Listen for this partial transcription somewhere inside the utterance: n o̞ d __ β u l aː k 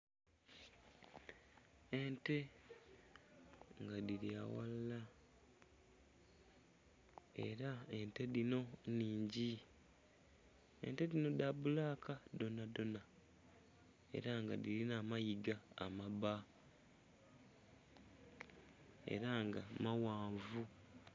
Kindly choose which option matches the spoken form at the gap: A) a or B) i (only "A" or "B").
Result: A